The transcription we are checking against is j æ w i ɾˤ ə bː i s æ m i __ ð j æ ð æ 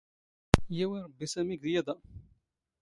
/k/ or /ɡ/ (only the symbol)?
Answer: ɡ